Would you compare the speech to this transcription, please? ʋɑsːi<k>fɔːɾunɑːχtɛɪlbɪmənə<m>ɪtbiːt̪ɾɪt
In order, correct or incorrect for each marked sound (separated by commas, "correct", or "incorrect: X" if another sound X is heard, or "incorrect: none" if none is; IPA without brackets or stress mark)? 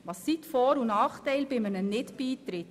incorrect: t, incorrect: n